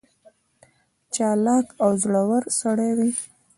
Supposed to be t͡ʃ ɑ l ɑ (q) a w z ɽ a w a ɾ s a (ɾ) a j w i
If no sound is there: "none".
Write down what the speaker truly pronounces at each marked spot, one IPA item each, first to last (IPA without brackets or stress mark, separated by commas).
k, ɽ